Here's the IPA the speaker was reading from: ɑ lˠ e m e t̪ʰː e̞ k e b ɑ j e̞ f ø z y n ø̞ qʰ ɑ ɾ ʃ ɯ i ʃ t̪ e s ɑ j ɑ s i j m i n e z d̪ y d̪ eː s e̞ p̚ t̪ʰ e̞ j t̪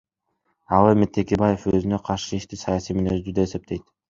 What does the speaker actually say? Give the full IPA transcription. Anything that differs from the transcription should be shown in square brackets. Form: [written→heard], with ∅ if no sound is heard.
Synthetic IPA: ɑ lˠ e m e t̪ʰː e̞ k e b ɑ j e̞ f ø z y n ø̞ qʰ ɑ ɾ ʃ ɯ i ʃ t̪ [e→i] s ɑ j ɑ s i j m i n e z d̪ y d̪ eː s e̞ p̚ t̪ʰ e̞ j t̪